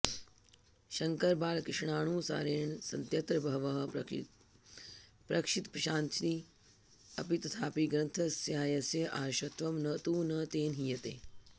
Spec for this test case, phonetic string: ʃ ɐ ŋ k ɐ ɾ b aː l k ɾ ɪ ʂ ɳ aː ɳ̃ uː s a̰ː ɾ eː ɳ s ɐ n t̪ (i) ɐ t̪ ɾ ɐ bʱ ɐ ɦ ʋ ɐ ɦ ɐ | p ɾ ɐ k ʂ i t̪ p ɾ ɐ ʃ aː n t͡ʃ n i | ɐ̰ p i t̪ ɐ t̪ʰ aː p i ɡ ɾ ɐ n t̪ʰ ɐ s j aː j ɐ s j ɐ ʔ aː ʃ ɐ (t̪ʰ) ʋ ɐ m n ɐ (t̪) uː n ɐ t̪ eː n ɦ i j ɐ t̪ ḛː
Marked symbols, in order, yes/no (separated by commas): no, no, yes